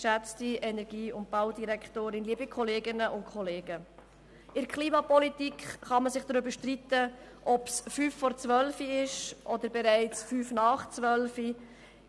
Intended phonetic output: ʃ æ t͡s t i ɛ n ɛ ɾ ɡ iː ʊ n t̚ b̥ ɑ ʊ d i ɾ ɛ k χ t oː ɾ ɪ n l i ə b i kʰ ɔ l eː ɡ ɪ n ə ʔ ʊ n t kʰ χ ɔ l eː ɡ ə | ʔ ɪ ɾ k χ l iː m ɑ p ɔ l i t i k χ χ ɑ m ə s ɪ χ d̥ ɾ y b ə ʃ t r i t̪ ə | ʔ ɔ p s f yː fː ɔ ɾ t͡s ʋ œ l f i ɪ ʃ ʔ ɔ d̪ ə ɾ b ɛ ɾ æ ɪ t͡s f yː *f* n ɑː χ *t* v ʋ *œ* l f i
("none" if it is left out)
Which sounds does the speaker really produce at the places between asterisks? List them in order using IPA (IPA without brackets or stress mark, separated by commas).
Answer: f, t͡s, œ